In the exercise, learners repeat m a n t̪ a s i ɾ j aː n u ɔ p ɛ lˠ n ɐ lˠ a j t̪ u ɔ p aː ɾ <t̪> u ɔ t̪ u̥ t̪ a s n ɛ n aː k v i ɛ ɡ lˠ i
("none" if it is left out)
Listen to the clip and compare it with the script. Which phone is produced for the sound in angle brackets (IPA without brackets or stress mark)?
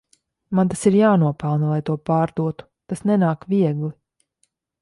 d̪